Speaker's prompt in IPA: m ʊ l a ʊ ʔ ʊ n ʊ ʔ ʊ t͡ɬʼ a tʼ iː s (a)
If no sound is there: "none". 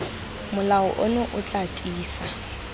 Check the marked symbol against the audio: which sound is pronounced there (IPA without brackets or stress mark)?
a